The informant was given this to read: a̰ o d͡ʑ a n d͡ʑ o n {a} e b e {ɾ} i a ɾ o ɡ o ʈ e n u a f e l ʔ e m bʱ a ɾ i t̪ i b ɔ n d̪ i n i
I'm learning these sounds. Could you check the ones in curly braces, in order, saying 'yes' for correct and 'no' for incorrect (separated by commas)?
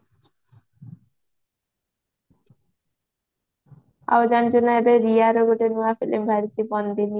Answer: yes, yes